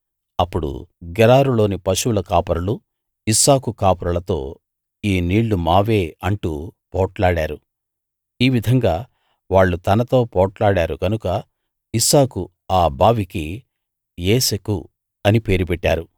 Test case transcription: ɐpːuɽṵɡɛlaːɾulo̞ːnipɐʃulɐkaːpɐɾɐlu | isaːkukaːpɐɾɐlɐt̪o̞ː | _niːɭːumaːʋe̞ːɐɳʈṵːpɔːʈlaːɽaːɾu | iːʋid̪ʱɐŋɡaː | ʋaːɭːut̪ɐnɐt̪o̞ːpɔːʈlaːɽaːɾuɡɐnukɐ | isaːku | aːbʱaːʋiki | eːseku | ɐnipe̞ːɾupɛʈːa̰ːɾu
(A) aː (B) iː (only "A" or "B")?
B